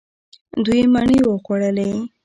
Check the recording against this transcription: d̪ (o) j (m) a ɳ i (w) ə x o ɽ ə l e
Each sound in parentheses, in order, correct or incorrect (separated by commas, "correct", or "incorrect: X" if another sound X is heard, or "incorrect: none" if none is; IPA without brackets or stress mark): incorrect: u, correct, correct